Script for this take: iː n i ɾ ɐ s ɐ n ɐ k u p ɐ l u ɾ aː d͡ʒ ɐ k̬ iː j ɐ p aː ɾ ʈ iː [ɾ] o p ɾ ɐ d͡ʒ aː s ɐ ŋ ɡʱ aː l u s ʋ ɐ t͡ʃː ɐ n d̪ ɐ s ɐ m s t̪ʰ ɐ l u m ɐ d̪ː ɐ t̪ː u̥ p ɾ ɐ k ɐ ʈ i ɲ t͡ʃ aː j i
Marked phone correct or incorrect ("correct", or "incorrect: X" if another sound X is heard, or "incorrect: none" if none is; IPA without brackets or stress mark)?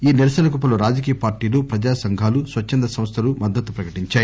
incorrect: l